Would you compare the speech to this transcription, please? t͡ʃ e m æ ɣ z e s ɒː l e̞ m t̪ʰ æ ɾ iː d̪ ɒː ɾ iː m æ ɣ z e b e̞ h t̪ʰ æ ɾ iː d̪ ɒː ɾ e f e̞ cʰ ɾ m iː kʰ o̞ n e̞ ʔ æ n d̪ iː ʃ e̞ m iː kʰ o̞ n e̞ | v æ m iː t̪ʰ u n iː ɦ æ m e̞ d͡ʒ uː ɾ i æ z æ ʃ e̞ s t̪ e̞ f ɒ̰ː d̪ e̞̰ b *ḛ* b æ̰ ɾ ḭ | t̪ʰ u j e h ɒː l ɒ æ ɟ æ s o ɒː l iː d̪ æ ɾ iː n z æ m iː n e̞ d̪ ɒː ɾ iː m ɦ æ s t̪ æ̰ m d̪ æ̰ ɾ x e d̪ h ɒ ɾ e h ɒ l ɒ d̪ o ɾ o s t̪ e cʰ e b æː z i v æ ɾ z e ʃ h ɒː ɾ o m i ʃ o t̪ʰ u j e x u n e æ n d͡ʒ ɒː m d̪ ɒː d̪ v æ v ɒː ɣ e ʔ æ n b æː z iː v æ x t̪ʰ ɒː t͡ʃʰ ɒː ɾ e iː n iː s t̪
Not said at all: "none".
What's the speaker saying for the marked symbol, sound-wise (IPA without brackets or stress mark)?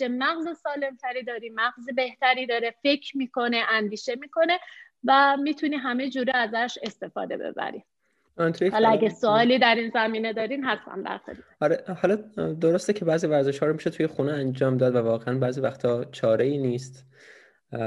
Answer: ḛ